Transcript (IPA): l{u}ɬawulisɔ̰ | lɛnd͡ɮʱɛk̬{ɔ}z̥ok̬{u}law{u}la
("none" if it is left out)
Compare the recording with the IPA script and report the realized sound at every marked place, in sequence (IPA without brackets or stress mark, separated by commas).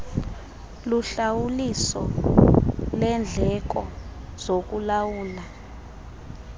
u, ɔ, u, uː